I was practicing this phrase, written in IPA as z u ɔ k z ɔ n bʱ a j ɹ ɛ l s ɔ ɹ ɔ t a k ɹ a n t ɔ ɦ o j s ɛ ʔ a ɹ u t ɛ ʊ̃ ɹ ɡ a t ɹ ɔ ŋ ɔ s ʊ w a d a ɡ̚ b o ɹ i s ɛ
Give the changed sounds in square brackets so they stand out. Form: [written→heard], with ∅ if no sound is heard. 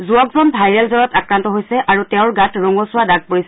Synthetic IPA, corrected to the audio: z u ɔ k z ɔ n bʱ a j ɹ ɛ l [s→z] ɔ ɹ ɔ t a k ɹ a n t ɔ ɦ o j s ɛ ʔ a ɹ u t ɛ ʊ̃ ɹ ɡ a t ɹ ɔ ŋ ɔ s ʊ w a d a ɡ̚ [b→p] o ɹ i s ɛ